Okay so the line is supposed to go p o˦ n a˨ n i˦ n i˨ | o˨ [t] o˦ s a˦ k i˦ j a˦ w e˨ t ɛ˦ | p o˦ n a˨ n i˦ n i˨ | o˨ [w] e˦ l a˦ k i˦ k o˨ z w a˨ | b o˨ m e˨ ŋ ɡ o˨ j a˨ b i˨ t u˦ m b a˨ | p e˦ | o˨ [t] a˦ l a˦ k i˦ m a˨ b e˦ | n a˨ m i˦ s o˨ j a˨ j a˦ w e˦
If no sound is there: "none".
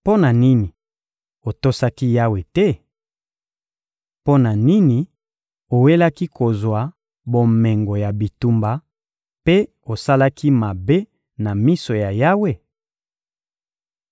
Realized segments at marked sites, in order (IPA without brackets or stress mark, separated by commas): t, w, s